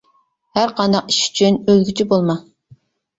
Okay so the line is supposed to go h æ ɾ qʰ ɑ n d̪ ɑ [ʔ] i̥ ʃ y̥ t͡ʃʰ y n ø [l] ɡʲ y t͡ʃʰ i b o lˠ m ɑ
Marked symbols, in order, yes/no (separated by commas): no, yes